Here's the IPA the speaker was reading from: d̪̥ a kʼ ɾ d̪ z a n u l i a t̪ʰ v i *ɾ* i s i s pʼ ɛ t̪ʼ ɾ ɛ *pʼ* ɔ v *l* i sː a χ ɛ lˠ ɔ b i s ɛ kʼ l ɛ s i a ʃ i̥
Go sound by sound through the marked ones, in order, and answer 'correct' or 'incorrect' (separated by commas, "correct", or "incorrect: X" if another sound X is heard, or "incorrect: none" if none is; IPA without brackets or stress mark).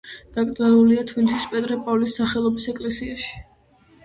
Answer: incorrect: l, correct, correct